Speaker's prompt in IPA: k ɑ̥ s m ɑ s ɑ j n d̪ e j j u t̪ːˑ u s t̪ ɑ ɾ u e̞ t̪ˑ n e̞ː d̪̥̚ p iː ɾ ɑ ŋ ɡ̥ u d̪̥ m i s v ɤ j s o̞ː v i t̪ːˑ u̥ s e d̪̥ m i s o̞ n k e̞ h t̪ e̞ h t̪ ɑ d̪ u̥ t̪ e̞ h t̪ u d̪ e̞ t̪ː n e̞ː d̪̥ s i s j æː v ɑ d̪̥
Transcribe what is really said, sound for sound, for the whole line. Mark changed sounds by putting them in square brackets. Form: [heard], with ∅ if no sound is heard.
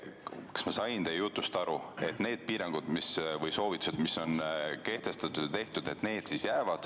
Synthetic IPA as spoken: k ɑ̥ s m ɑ s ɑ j n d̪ e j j u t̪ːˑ u s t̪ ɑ ɾ u e̞ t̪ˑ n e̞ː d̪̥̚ p iː ɾ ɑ ŋ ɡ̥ u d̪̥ m i s v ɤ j s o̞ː v i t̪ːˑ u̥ s e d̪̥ m i s o̞ n k e̞ h t̪ e̞ [s] t̪ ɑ [t̪] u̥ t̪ e̞ h t̪ u d̪ e̞ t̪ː n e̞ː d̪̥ s i s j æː v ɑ d̪̥